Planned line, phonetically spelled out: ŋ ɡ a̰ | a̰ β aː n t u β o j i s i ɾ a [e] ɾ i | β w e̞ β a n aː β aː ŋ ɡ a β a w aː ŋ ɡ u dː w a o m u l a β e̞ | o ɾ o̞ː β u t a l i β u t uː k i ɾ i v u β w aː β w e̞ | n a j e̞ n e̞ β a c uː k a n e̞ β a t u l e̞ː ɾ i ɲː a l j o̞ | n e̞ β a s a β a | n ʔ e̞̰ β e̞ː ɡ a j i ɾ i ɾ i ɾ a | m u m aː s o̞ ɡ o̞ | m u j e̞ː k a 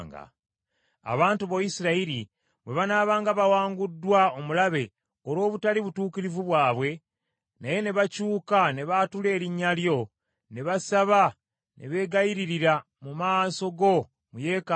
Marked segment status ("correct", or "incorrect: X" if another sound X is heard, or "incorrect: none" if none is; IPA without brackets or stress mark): incorrect: i